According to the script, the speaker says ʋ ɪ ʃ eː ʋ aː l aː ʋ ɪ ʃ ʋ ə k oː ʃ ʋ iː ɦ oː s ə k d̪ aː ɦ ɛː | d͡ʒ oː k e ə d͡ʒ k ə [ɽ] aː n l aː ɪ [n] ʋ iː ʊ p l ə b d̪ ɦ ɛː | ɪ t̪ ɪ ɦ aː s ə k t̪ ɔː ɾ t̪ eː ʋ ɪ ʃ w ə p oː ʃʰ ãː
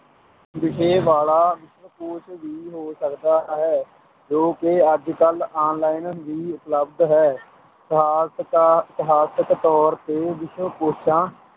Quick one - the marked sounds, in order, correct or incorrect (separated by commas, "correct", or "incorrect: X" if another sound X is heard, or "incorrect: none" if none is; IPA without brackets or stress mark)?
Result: incorrect: l, correct